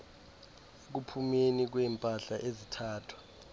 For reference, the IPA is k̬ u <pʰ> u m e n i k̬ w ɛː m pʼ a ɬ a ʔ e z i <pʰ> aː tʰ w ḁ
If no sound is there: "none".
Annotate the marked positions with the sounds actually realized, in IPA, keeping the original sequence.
pʰ, tʰ

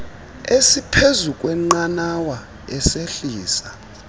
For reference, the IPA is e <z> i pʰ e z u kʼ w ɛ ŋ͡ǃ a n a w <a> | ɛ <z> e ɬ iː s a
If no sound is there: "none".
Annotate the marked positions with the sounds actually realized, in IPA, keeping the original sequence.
s, a, s

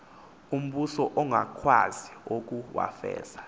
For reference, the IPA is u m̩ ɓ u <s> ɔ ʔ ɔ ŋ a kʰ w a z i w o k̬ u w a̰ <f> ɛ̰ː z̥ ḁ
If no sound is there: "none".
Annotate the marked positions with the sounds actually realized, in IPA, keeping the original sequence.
s, f

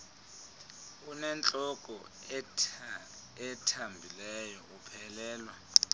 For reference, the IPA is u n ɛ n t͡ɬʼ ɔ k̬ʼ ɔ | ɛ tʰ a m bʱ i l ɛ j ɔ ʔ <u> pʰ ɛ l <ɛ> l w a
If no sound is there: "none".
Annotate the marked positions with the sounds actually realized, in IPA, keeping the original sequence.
u, ɛː

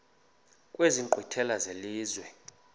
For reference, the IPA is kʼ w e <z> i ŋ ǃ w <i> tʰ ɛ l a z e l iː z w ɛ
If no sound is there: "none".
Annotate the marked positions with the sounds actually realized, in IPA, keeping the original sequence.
z, i

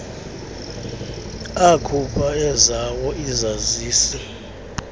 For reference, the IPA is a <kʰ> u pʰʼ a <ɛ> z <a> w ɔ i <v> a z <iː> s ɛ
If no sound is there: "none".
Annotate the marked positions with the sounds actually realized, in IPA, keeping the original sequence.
kʰ, ɛ, a, z, iː

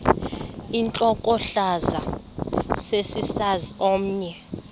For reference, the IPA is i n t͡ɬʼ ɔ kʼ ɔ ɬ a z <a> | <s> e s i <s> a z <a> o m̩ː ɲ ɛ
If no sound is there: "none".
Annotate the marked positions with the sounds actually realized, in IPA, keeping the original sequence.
a, s, s, i

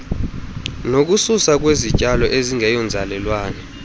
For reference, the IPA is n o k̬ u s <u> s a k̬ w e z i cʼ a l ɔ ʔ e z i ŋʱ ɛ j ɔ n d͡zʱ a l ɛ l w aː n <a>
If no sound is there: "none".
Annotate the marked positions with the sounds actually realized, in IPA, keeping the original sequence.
u, ɛ

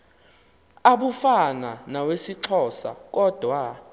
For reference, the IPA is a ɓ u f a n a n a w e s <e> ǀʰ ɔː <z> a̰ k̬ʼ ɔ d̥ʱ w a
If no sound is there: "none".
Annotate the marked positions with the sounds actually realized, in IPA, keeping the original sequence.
i, s

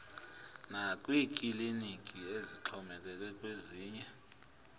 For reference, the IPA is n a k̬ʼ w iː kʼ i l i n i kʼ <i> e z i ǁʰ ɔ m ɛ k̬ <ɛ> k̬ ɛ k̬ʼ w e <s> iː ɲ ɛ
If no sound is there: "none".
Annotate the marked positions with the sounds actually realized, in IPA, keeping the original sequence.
i, ɛ, z

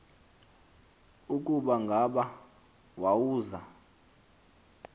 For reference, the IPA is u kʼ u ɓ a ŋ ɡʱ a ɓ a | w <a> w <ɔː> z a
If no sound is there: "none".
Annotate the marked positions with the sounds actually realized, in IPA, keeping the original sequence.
a, uː

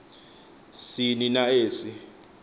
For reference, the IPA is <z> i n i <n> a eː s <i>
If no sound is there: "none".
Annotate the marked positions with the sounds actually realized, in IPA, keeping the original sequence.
s, n, i

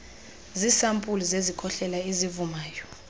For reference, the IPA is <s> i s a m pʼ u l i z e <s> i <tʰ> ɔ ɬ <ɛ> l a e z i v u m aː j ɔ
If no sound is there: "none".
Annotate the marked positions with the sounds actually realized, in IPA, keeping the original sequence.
z, z, kʰ, ɛ

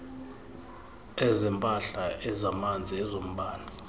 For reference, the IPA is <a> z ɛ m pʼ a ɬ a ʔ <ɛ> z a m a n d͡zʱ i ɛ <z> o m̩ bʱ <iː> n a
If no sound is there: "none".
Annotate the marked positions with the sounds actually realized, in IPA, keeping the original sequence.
ɛ, ɛ, z, aː

